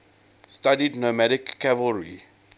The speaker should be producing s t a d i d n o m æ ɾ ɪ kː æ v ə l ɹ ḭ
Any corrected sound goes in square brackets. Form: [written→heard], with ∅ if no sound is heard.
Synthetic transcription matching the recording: s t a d i d n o m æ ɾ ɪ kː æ v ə l ɹ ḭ